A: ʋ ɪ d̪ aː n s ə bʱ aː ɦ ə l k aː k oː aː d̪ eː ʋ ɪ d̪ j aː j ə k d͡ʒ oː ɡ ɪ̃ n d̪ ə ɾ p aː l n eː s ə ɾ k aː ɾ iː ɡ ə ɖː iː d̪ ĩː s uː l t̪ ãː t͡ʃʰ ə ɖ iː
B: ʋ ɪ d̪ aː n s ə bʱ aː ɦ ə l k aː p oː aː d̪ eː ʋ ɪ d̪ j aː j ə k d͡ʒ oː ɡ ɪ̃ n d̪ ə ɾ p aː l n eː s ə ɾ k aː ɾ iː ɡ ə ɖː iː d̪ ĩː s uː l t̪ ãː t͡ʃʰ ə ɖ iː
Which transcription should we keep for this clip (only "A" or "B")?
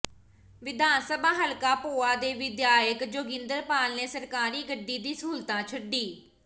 B